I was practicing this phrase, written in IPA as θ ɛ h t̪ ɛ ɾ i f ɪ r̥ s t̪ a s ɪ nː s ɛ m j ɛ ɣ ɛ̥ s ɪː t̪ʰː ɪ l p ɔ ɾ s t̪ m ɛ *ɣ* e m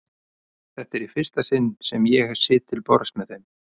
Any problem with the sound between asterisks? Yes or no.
yes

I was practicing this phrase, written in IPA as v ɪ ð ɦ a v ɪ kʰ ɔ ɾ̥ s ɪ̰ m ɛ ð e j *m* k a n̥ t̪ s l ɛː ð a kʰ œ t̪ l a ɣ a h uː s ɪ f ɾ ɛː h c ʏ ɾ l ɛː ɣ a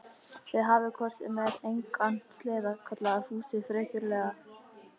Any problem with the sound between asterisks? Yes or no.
yes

